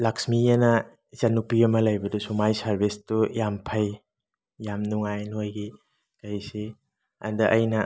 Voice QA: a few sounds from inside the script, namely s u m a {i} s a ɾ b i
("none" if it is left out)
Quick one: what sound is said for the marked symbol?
j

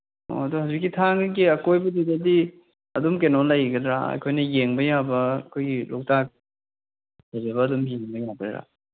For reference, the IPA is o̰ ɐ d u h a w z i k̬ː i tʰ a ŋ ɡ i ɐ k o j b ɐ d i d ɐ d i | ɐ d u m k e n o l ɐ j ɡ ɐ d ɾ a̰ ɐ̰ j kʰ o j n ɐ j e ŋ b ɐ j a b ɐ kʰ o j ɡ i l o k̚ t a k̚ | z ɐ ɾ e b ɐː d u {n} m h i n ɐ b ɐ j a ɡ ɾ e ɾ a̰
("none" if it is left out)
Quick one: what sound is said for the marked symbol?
none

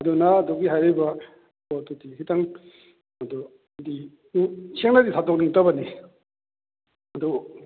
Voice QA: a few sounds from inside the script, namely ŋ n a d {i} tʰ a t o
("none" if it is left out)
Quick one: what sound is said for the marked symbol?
i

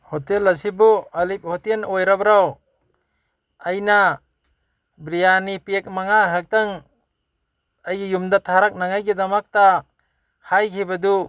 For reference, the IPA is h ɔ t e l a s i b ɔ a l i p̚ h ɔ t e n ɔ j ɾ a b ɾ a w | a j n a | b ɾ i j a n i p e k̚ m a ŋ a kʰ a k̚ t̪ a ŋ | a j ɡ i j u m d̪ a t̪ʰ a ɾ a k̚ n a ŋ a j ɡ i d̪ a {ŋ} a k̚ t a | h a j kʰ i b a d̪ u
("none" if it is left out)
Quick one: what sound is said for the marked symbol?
m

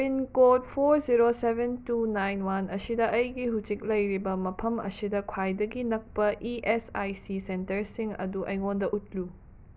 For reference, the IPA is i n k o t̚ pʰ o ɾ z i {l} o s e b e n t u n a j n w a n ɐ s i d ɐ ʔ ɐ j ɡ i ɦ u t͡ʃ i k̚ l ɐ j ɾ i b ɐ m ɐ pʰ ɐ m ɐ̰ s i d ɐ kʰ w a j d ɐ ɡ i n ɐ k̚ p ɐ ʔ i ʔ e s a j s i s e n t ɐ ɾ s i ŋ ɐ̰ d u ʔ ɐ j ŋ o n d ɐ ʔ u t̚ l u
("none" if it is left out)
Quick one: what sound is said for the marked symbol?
ɾ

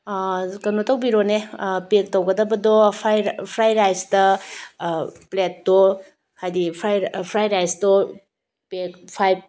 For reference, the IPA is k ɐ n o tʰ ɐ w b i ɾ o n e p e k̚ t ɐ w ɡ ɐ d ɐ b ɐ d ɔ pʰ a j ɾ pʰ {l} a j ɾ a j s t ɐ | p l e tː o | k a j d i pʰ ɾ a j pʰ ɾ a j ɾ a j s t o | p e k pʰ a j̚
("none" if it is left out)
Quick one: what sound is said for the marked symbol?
ɾ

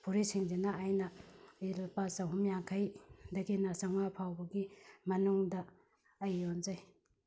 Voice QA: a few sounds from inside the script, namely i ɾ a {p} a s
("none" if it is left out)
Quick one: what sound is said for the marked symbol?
p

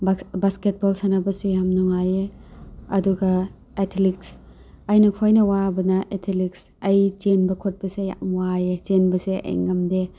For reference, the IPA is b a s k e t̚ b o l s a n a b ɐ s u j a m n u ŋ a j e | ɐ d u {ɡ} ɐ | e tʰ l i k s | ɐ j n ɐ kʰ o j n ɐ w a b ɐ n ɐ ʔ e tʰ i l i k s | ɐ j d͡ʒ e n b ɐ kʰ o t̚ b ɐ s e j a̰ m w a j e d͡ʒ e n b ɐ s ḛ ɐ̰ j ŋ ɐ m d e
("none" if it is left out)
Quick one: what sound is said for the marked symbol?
ɡ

